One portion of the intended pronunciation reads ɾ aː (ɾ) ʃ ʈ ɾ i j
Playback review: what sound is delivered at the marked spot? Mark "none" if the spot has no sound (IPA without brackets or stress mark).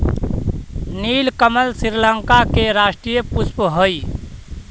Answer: none